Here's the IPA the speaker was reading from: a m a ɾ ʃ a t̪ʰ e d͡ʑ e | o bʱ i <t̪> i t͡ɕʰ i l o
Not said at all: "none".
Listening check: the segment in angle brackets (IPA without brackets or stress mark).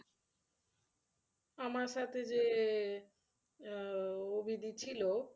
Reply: d̪